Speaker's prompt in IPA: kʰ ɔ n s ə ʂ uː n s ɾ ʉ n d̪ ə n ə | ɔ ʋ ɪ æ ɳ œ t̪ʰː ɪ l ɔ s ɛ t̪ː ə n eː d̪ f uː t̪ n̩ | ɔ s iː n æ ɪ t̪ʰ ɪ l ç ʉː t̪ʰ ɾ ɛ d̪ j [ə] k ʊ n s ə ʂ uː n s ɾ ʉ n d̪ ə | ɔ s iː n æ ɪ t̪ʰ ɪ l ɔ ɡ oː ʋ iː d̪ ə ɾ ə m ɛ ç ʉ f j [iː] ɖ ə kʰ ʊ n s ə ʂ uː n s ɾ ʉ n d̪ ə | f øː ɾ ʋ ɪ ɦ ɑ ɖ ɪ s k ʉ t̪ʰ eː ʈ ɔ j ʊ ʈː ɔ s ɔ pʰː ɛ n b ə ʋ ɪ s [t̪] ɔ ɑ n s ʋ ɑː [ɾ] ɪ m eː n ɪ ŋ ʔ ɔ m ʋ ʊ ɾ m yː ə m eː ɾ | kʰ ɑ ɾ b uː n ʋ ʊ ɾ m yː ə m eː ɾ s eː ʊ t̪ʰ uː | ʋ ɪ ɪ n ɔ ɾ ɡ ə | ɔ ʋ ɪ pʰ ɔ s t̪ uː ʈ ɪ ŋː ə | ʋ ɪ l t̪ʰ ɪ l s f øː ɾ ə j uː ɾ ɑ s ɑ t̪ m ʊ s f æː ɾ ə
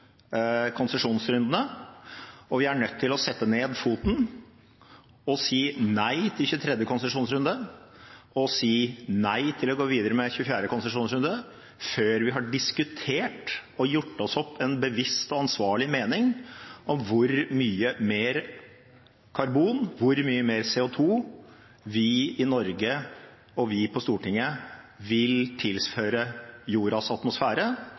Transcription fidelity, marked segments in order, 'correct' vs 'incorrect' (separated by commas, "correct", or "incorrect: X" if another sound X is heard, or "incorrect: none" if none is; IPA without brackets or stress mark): correct, incorrect: æː, correct, incorrect: ɭ